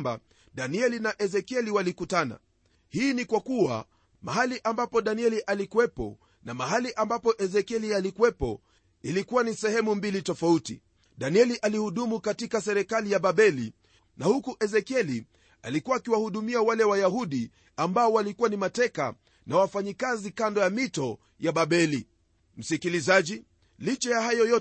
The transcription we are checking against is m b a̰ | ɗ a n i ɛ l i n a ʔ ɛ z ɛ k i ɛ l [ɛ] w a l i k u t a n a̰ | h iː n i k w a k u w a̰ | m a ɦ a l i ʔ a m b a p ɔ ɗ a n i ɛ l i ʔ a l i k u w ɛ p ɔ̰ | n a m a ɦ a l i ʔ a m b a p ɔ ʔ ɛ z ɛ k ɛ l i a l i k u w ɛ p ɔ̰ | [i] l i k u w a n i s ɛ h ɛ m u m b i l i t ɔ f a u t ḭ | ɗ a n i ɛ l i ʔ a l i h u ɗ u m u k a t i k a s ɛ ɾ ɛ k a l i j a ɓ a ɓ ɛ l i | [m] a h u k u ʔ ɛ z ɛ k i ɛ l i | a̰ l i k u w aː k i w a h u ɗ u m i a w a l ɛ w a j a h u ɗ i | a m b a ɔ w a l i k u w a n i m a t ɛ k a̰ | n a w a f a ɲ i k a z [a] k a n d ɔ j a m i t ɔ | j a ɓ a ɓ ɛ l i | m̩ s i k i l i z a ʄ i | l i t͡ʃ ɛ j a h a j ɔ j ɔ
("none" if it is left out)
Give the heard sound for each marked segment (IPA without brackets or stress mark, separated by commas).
i, i, n, i